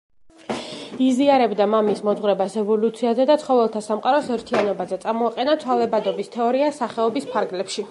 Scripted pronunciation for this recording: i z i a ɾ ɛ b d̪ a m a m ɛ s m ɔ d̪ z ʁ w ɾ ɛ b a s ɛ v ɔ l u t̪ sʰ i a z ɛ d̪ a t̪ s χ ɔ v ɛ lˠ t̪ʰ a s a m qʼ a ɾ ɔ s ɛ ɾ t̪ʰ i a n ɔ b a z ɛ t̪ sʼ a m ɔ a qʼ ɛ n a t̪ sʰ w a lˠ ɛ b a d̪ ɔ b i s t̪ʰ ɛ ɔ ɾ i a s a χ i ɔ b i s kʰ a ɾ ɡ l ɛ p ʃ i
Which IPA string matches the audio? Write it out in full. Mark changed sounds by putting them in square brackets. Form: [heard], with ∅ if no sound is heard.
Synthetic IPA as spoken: i z i a ɾ ɛ b d̪ a m a m [i] s m ɔ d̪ z ʁ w ɾ ɛ b a s ɛ v ɔ l u t̪ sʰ i a z ɛ d̪ a t̪ s χ ɔ v ɛ lˠ t̪ʰ a s a m qʼ a ɾ ɔ s ɛ ɾ t̪ʰ i a n ɔ b a z ɛ t̪ sʼ a m ɔ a qʼ ɛ n a t̪ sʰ w a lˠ ɛ b a d̪ ɔ b i s t̪ʰ ɛ ɔ ɾ i a s a χ [ɛ] ɔ b i s [pʰ] a ɾ ɡ l ɛ p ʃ i